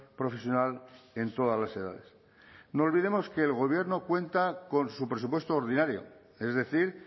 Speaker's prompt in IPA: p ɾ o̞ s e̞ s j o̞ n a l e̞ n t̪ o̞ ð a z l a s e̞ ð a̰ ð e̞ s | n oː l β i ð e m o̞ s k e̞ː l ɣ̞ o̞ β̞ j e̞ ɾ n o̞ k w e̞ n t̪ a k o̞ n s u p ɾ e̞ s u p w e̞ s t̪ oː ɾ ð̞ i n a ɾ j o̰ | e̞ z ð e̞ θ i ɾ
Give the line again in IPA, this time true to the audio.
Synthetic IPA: p ɾ o̞ f e̞ s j o̞ n a l e̞ n t̪ o̞ ð a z l a s e̞ ð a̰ ð e̞ s | n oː l β i ð e m o̞ s k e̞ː l ɣ̞ o̞ β̞ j e̞ ɾ n o̞ k w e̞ n t̪ a k o̞ n s u p ɾ e̞ s u p w e̞ s t̪ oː ɾ ð̞ i n a ɾ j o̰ | e̞ z ð e̞ θ i ɾ